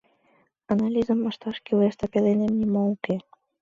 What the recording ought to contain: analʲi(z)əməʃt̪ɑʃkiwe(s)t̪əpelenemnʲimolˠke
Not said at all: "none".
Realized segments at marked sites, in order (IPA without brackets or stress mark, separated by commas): z, s